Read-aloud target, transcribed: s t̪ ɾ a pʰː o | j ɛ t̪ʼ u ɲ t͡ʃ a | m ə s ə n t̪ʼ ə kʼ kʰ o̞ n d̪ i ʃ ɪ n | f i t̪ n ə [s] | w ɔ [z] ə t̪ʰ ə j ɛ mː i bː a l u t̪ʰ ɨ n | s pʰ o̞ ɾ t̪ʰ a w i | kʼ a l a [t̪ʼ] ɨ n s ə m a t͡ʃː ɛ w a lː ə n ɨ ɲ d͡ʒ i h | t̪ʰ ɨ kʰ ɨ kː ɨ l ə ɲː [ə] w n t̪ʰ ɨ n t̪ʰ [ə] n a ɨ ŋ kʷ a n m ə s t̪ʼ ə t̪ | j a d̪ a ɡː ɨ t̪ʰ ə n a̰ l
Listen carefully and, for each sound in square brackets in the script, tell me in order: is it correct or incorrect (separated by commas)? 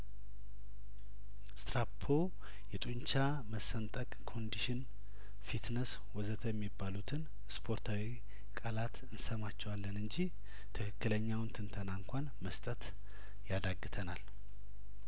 correct, correct, incorrect, incorrect, correct